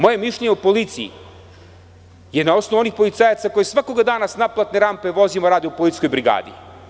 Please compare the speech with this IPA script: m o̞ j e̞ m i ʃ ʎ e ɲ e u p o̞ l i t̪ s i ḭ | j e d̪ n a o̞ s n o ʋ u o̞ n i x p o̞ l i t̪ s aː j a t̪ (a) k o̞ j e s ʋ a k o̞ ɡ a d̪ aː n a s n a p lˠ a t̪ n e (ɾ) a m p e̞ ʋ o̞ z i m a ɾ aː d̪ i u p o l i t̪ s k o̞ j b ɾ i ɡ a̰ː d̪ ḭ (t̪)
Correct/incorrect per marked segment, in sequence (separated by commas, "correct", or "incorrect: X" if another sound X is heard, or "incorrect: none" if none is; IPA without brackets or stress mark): correct, correct, incorrect: none